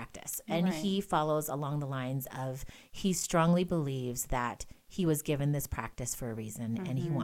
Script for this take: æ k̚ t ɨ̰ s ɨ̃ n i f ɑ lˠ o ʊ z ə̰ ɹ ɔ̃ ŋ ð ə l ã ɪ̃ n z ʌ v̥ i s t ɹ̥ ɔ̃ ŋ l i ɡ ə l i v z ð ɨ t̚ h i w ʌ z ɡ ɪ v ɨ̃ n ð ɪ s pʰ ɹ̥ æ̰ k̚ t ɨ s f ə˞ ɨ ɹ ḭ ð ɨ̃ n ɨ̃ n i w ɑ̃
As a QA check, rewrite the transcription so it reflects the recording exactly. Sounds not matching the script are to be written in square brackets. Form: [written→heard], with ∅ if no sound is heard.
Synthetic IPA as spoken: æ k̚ t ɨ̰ s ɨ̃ n i f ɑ lˠ o ʊ z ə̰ [ɹ→l] ɔ̃ ŋ ð ə l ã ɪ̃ n z ʌ v̥ i s t ɹ̥ ɔ̃ ŋ l i [ɡ→b] ə l i v z ð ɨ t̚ h i w ʌ z ɡ ɪ v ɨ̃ n ð ɪ s pʰ ɹ̥ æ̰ k̚ t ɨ s f ə˞ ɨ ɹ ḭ [ð→z] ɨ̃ n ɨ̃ n i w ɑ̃